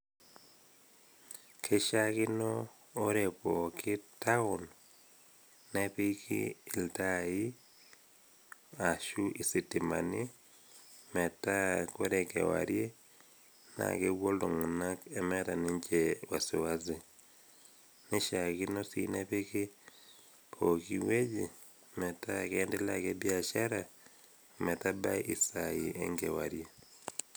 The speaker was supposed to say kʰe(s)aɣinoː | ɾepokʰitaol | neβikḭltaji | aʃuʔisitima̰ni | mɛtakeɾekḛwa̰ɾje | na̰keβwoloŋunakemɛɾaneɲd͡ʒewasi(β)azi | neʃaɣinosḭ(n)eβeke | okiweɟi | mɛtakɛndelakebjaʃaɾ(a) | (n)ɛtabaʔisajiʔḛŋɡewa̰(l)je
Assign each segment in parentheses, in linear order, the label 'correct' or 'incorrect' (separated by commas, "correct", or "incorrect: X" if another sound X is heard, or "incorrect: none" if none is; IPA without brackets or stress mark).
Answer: incorrect: ʃ, incorrect: w, correct, correct, incorrect: m, incorrect: ɾ